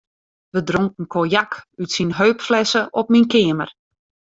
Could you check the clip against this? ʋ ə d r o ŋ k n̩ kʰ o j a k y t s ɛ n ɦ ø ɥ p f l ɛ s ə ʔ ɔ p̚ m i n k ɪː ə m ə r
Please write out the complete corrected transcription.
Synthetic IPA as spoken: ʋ ə d r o ŋ k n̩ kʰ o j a k y t s i n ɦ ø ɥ p f l ɛ s ə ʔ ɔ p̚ m i n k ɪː ə m ə r